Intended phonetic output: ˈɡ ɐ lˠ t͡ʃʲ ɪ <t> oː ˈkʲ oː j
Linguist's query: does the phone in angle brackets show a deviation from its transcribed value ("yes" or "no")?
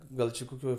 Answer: yes